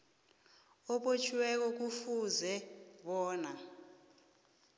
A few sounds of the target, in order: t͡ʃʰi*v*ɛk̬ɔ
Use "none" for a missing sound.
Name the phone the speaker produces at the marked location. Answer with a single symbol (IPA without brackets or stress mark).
w